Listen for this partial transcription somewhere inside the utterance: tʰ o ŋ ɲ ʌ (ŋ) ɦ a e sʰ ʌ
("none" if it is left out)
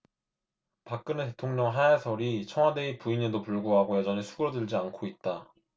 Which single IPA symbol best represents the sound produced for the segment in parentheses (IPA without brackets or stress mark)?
ŋ